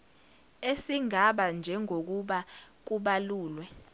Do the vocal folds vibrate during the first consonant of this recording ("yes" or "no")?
no